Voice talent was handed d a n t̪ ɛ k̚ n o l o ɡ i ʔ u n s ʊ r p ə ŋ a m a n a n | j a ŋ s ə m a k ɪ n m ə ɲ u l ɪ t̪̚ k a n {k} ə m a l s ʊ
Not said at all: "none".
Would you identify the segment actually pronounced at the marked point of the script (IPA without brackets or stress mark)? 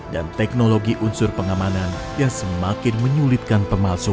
p